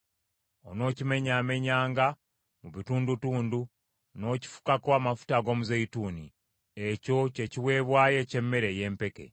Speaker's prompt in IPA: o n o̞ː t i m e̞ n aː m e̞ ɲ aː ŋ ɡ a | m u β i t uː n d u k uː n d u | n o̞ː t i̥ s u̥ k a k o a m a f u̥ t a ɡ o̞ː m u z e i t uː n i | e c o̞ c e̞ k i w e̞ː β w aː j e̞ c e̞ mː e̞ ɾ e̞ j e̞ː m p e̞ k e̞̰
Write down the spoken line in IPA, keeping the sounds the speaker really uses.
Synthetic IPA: o n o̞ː c i m e̞ ɲ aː m e̞ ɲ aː ŋ ɡ a | m u β i t uː n d u t uː n d u | n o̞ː c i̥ f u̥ k a k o a m a f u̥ t a ɡ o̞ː m u z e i t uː n i | e c o̞ c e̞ c i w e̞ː β w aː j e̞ c e̞ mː e̞ ɾ e̞ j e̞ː m p e̞ k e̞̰